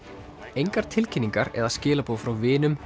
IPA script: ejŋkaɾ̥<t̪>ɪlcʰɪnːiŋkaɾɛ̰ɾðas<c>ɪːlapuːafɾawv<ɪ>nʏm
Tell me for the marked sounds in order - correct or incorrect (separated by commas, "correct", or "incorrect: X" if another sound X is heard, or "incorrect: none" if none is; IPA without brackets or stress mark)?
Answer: incorrect: t̪ʰ, correct, incorrect: ɪː